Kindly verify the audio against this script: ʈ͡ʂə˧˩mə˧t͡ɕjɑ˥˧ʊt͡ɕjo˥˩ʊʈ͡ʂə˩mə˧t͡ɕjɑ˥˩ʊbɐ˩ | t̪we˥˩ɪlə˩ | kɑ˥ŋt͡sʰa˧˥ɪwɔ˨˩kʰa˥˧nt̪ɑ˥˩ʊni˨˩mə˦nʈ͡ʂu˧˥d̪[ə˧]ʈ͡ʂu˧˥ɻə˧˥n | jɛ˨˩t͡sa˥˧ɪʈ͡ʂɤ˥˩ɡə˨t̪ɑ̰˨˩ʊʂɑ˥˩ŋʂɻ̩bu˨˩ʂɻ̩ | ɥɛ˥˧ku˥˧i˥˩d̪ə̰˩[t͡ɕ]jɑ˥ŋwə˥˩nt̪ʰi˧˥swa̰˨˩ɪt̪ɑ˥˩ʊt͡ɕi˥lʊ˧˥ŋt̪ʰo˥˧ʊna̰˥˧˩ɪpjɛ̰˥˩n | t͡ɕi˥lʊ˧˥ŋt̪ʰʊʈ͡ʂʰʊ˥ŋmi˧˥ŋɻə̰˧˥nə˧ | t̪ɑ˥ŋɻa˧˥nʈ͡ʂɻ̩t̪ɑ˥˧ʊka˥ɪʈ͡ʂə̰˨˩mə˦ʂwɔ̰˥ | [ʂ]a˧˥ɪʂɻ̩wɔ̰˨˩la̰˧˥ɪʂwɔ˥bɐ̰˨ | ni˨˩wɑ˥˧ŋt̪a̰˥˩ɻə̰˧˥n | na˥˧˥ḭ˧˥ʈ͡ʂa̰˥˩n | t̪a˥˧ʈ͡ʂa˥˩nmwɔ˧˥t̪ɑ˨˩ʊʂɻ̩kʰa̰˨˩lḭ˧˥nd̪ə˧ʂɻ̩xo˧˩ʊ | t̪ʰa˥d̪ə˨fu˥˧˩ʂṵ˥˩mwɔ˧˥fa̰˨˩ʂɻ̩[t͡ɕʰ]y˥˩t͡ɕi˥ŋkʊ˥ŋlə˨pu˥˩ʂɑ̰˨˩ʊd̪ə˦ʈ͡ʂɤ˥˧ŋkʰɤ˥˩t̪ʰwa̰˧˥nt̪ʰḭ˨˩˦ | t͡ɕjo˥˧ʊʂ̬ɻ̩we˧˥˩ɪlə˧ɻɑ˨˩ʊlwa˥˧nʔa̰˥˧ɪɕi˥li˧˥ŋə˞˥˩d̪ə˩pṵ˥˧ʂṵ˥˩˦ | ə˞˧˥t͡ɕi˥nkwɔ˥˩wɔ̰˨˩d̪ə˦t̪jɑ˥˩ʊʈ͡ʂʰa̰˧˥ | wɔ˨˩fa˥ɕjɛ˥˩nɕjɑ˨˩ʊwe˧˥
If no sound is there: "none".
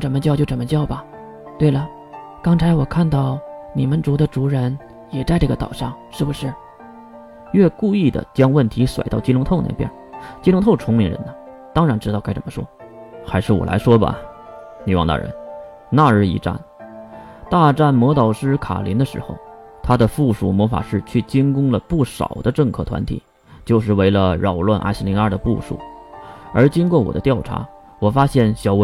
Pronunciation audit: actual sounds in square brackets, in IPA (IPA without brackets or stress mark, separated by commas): ə˧, t͡ɕ, x, t͡ɕʰ